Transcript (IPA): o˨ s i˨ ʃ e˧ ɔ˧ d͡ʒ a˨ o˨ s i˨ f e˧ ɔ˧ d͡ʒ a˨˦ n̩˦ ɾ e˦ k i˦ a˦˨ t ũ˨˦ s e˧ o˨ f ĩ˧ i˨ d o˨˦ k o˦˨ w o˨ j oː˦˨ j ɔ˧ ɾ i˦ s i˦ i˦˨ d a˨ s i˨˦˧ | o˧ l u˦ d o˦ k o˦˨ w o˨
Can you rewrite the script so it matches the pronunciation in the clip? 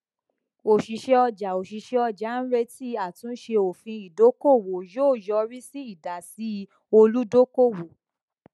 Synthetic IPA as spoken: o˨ ʃ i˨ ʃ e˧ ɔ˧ d͡ʒ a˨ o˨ ʃ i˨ ʃ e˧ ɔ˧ d͡ʒ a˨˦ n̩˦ ɾ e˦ t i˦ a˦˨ t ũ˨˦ ʃ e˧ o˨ f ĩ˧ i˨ d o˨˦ k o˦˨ w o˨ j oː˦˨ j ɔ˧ ɾ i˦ s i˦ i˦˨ d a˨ s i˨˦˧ | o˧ l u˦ d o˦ k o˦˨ w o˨